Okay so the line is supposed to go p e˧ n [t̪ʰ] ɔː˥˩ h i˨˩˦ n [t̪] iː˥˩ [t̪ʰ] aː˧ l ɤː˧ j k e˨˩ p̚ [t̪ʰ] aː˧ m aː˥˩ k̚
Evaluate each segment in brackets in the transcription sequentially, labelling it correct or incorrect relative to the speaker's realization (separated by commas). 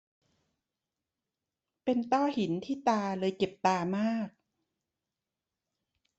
incorrect, incorrect, incorrect, incorrect